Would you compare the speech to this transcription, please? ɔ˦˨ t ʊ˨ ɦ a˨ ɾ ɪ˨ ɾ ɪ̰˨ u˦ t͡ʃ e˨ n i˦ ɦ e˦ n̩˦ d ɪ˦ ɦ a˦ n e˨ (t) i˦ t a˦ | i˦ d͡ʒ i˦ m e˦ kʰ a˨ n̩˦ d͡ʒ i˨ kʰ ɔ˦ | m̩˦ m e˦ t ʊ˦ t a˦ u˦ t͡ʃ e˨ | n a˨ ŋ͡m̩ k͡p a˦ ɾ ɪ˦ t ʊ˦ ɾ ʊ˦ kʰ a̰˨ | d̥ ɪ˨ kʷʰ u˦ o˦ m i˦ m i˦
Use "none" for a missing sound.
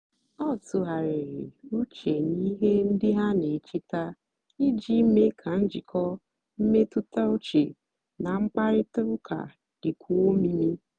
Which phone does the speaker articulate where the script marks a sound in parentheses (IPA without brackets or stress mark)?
t͡ʃ